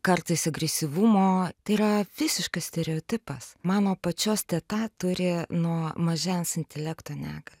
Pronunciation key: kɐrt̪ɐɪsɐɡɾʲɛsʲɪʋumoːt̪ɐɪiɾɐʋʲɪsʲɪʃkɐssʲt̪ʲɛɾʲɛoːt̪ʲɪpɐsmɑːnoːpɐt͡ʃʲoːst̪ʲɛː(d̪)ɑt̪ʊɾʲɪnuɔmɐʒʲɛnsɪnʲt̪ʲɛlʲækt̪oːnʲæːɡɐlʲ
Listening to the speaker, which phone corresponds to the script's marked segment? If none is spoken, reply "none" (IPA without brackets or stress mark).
t̪